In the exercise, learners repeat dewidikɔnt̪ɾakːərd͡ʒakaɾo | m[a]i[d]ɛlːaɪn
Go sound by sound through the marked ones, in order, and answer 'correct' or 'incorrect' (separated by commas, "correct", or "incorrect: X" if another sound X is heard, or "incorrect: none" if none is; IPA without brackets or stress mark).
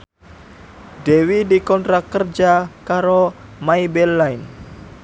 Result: correct, incorrect: b